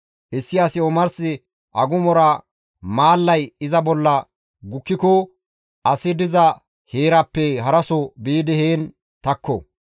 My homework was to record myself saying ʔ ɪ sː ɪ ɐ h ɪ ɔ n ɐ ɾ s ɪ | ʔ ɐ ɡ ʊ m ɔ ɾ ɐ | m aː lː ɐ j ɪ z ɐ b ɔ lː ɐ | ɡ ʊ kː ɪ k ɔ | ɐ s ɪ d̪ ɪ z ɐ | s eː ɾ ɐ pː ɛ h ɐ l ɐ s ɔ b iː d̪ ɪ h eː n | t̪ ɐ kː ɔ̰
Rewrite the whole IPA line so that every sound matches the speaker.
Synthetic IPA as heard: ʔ ɪ sː ɪ ɐ s ɪ ɔ m ɐ ɾ s ɪ | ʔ ɐ ɡ ʊ m ɔ ɾ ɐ | m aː lː ɐ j ɪ z ɐ b ɔ lː ɐ | ɡ ʊ kː ɪ k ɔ | ɐ s ɪ d̪ ɪ z ɐ | h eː ɾ ɐ pː ɛ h ɐ ɾ ɐ s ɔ b iː d̪ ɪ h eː n | t̪ ɐ kː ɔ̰